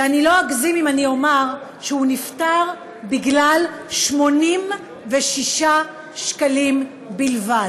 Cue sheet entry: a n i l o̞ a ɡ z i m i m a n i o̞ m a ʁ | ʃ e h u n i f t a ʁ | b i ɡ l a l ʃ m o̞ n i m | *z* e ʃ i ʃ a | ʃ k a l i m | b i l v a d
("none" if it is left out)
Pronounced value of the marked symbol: v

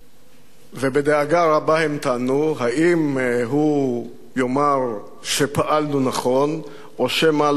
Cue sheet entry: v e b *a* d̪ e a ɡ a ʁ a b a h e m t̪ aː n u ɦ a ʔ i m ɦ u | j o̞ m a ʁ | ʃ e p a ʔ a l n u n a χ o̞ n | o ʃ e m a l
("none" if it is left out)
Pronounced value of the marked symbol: e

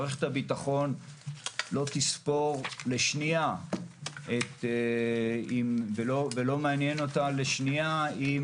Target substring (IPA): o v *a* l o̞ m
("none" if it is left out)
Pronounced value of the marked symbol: e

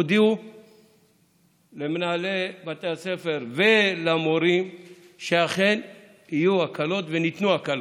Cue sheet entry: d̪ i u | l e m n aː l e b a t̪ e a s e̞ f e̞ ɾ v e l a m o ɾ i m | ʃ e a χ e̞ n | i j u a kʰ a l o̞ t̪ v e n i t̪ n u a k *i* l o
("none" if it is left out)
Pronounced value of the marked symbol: a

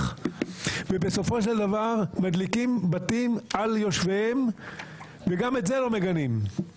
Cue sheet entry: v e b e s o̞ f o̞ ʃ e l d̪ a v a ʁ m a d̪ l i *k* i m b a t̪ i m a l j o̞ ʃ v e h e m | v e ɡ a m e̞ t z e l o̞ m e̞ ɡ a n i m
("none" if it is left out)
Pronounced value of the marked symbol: k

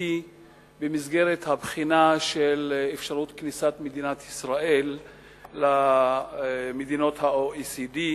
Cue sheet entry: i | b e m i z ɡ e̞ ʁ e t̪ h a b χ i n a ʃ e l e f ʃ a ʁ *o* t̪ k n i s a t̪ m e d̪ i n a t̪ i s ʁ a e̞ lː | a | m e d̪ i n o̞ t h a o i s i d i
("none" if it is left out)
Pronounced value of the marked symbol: u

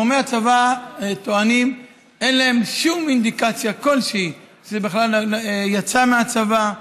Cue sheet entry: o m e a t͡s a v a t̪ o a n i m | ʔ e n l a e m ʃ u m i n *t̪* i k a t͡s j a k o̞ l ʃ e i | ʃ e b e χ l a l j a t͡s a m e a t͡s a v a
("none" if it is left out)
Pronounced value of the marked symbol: d̪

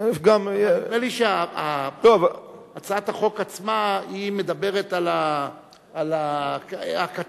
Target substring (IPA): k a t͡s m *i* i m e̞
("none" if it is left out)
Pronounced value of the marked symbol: a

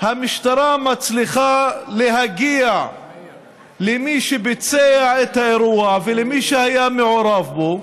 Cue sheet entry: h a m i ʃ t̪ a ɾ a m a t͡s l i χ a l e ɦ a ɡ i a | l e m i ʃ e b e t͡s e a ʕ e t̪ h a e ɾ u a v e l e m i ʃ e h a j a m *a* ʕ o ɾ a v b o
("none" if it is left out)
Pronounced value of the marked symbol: e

